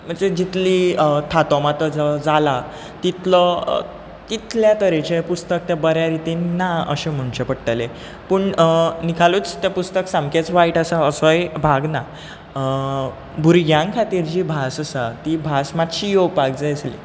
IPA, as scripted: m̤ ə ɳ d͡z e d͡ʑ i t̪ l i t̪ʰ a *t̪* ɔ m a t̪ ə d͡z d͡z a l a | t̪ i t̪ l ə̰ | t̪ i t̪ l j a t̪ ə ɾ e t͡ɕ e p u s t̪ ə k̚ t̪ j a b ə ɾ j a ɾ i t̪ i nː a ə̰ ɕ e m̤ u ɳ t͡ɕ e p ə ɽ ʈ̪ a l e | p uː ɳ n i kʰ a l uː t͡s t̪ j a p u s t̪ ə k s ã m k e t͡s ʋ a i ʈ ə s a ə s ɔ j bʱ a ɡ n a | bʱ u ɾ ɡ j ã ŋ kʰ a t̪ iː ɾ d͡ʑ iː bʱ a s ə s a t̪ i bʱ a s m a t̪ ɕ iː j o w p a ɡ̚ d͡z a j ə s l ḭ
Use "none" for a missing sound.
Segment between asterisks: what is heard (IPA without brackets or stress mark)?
t̪